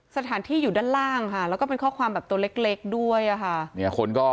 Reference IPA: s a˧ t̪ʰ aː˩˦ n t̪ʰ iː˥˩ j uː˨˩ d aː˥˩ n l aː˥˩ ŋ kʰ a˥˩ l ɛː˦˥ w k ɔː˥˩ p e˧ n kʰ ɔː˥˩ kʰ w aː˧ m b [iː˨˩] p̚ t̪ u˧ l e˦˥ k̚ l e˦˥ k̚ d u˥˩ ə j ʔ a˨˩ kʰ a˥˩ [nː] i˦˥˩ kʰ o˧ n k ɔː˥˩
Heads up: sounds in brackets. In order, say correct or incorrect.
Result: incorrect, incorrect

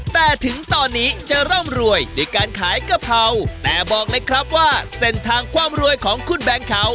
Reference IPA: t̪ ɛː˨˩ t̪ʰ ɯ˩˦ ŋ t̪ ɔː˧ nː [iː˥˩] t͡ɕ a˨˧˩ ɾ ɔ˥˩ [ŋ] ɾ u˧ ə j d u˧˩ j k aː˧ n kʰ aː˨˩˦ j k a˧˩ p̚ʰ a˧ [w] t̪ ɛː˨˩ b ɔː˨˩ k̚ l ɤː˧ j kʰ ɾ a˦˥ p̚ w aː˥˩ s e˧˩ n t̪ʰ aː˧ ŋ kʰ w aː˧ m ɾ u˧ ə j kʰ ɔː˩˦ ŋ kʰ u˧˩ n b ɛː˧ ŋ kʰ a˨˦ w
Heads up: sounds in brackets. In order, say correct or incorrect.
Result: incorrect, incorrect, correct

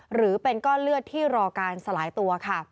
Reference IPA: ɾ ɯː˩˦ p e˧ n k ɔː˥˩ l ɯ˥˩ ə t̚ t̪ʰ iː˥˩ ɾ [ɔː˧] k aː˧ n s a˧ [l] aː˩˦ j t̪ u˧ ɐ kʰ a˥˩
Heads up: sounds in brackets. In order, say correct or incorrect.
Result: correct, correct

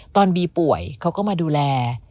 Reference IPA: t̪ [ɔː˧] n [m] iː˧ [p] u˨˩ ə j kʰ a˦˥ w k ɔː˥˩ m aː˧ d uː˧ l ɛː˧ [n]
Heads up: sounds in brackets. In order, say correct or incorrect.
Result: correct, incorrect, correct, incorrect

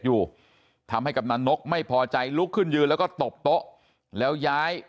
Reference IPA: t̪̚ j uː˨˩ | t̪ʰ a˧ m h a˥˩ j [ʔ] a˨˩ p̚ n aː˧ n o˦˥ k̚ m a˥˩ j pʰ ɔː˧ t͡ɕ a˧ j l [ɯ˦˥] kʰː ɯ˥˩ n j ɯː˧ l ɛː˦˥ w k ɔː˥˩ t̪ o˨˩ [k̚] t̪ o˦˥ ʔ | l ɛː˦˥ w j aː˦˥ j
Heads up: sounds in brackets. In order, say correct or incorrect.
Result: incorrect, incorrect, incorrect

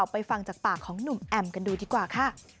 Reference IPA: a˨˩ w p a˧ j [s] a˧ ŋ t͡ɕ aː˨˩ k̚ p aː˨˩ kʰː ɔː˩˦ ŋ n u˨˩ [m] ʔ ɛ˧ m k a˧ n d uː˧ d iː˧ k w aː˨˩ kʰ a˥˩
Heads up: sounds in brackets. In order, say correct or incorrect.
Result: incorrect, correct

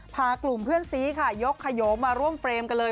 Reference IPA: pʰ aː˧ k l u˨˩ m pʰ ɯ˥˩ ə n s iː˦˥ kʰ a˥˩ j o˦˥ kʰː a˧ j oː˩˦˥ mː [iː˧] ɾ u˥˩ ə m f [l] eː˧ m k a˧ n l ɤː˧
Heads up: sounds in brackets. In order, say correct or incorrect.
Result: incorrect, incorrect

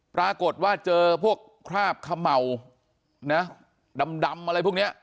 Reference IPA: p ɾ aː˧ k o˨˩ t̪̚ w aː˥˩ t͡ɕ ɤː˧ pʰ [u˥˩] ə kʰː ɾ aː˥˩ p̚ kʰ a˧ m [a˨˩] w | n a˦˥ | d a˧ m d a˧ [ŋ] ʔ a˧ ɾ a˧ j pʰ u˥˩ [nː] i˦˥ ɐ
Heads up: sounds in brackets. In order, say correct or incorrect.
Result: correct, correct, incorrect, incorrect

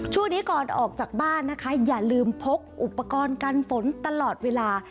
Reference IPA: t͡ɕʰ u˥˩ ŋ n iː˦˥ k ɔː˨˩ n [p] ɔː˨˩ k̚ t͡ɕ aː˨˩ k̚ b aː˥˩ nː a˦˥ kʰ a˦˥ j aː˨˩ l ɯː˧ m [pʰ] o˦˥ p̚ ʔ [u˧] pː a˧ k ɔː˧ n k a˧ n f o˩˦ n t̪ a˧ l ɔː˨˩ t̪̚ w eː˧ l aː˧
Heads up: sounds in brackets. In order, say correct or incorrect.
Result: incorrect, correct, incorrect

